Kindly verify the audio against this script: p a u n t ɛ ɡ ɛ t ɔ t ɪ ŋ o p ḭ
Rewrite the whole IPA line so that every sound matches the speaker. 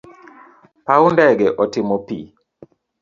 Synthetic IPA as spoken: p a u n d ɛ ɡ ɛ ʔ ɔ t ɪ m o p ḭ